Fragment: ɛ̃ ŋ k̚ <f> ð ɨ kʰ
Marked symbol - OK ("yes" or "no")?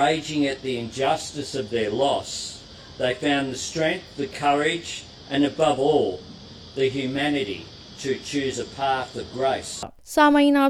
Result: no